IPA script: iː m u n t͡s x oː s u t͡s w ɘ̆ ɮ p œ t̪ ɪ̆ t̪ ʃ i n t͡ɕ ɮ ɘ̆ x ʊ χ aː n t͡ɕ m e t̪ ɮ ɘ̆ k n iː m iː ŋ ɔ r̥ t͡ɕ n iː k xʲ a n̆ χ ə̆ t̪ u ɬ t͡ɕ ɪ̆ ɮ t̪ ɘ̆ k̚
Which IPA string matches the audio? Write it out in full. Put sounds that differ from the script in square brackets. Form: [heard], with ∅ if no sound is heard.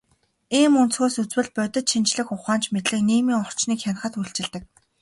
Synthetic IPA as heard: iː m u n t͡s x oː s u t͡s w ɘ̆ ɮ p œ t̪ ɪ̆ t̪ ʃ i n t͡ɕ ɮ ɘ̆ x ʊ χ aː n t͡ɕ m e t̪ ɮ ɘ̆ k n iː m iː ŋ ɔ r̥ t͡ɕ n iː k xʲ a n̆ χ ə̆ t̪ u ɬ t͡ɕ ɪ̆ ɮ t̪ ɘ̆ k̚